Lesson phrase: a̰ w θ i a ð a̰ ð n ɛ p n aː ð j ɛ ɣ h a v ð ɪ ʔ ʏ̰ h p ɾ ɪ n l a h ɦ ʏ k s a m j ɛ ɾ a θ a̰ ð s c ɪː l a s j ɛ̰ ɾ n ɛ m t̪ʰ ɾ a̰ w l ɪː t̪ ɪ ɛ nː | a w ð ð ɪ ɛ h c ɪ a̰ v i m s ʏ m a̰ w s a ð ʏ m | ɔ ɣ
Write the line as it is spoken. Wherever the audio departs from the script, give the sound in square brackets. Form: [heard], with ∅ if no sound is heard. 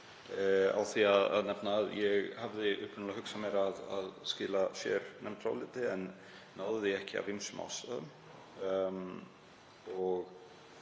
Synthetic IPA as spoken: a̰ w θ i a ð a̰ ð n ɛ p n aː ð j ɛ ɣ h a v ð ɪ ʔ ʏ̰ h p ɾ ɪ n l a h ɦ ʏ k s a m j ɛ ɾ a [ð] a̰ ð s c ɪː l a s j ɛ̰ ɾ n ɛ m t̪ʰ ɾ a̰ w l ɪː t̪ ɪ ɛ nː | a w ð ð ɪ ɛ h c ɪ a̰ v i m s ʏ m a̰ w s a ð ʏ m | ɔ ɣ